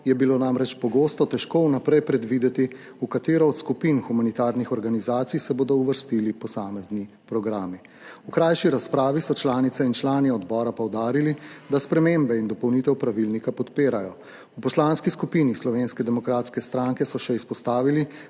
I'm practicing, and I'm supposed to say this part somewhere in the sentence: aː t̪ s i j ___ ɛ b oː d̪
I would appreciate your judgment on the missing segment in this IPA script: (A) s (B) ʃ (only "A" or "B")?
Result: A